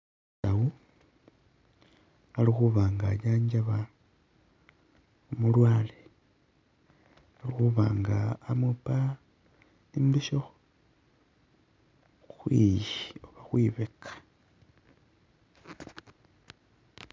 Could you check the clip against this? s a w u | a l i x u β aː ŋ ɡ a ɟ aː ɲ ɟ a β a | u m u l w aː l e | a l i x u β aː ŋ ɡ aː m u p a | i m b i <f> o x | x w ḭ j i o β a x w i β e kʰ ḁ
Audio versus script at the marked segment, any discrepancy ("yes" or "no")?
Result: yes